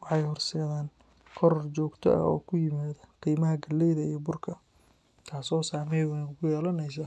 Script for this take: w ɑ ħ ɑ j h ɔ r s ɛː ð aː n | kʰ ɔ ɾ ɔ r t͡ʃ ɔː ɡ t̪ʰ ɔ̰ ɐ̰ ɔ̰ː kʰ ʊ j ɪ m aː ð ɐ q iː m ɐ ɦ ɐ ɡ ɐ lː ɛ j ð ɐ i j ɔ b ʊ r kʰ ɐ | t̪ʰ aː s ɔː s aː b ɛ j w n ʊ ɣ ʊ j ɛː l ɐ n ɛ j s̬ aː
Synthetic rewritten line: w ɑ ħ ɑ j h ɔ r s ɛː ð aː n | kʰ ɔ ɾ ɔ r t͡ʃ ɔː ɡ t̪ʰ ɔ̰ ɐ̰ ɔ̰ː kʰ ʊ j ɪ m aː ð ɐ q iː m ɐ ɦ ɐ ɡ ɐ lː ɛ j ð ɐ i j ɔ b ʊ r kʰ ɐ | t̪ʰ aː s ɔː s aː m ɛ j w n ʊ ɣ ʊ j ɛː l ɐ n ɛ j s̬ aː